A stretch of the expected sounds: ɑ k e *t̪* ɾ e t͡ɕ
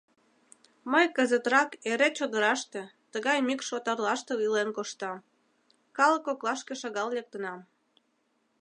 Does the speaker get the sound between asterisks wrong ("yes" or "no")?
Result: yes